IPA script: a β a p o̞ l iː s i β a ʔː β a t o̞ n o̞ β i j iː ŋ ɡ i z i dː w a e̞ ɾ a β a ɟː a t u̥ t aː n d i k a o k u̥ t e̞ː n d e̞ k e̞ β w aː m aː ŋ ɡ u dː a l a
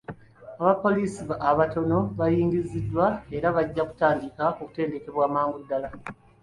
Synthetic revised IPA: a β a p o̞ l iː s i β a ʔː β a t o̞ n o̞ β a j iː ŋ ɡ i z i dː w a e̞ ɾ a β a ɟː a k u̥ t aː n d i k a o k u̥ t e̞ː n d e̞ k e̞ β w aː m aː ŋ ɡ u dː a l a